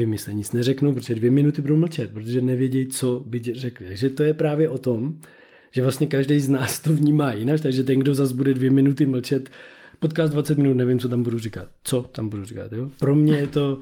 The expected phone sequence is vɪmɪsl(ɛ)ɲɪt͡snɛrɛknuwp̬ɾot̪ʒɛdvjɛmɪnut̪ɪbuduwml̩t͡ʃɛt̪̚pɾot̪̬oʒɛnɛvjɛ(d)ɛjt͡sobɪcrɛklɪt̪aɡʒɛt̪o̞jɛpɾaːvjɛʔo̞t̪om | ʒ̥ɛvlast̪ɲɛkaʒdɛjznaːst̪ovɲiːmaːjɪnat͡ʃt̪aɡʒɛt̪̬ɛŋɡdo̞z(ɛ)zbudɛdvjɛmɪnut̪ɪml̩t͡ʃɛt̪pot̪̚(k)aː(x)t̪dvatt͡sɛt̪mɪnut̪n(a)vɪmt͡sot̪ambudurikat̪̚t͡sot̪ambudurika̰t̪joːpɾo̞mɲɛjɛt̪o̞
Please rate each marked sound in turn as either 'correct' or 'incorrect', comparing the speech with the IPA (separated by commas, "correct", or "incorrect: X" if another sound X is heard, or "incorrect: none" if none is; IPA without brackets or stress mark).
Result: correct, incorrect: ɟ, incorrect: a, correct, incorrect: s, incorrect: ɛ